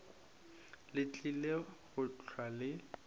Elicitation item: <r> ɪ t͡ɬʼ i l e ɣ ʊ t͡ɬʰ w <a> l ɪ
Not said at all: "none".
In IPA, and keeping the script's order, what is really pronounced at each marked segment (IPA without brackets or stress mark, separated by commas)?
l, a